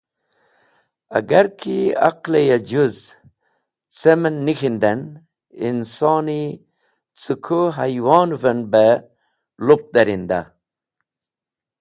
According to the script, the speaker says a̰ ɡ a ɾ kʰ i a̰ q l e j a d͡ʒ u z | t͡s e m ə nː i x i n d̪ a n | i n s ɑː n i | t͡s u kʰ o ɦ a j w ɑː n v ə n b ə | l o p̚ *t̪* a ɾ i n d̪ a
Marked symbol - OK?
no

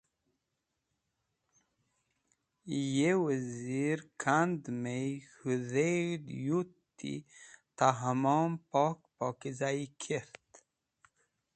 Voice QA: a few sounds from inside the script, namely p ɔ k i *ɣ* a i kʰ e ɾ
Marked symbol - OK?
no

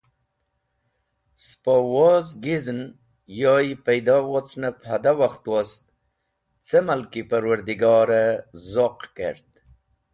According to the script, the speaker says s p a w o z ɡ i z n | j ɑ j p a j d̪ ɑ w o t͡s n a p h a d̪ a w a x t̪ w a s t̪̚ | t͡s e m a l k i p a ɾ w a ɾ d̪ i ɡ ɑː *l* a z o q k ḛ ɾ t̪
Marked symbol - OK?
no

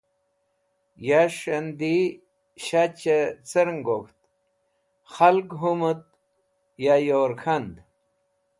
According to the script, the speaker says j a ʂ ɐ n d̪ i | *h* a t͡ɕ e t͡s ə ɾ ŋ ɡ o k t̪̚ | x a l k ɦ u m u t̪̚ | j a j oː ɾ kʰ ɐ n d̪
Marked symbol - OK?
no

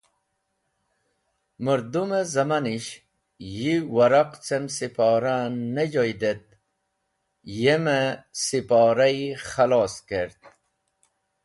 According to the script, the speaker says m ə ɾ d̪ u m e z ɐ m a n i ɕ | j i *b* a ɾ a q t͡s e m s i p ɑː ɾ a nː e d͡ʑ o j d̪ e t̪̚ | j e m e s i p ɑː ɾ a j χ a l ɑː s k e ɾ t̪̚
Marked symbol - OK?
no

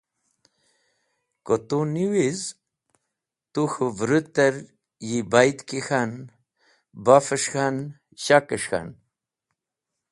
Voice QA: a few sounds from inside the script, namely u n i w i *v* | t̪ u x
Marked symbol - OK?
no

